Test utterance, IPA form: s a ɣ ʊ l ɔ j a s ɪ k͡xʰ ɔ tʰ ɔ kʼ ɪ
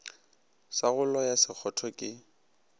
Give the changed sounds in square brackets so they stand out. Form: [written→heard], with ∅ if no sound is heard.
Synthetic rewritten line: s a ɣ ʊ l ɔ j a s ɪ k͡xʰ ɔ tʰ ɔ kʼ ɪ